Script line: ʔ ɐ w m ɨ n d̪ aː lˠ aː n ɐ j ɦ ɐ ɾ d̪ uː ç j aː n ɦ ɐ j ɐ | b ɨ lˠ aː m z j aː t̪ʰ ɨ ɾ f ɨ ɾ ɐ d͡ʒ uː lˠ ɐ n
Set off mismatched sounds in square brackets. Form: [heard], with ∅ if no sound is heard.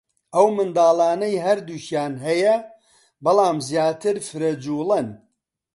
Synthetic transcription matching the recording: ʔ ɐ w m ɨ n d̪ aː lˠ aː n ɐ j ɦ ɐ ɾ d̪ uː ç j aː n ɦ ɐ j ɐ | b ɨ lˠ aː m z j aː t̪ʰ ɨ ɾ f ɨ ɾ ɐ d͡ʒ uː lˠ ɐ n